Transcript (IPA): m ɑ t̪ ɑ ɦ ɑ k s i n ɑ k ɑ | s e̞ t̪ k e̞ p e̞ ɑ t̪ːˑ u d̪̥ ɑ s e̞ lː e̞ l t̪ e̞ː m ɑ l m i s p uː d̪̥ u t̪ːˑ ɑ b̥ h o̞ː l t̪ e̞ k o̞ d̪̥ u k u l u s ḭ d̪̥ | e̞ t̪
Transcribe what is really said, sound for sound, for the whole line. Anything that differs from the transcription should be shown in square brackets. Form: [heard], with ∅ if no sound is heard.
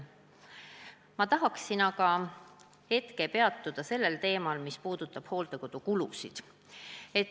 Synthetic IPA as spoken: m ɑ t̪ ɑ ɦ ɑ k s i n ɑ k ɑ | [h] e̞ t̪ k e̞ p e̞ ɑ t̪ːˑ u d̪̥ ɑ s e̞ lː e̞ l t̪ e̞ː m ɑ l m i s p uː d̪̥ u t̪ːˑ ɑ b̥ h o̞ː l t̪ e̞ k o̞ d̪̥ u k u l u s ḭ d̪̥ | e̞ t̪